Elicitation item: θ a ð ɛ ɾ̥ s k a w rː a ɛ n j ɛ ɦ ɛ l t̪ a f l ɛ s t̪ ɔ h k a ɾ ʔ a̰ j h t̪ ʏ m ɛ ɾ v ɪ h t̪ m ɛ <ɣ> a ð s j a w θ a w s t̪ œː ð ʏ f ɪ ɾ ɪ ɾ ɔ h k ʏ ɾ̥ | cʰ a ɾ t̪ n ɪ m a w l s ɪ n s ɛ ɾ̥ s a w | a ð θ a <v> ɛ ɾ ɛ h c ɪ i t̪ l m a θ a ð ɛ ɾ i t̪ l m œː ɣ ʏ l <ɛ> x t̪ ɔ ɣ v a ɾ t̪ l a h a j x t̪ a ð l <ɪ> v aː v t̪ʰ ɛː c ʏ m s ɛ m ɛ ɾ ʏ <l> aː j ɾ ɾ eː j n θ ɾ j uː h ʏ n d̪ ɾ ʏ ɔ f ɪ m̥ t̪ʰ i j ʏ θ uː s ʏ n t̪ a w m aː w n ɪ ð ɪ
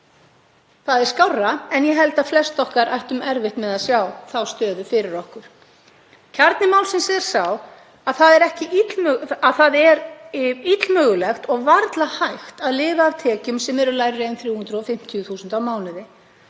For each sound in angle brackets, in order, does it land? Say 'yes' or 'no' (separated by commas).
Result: no, no, yes, no, yes